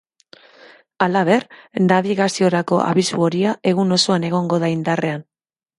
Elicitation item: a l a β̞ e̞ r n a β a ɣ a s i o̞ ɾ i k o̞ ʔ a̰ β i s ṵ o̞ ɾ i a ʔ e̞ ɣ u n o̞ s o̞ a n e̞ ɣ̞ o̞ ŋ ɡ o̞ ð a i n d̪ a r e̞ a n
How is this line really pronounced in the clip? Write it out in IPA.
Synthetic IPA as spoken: a l a β̞ e̞ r n a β i ɣ a s i o̞ ɾ a k o̞ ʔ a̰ β i s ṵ o̞ ɾ i a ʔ e̞ ɣ u n o̞ s o̞ a n e̞ ɣ̞ o̞ ŋ ɡ o̞ ð a i n d̪ a r e̞ a n